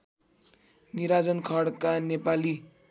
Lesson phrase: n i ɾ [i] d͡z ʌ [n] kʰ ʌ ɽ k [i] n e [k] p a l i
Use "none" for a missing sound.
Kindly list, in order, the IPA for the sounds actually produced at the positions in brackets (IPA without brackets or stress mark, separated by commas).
a, n, a, none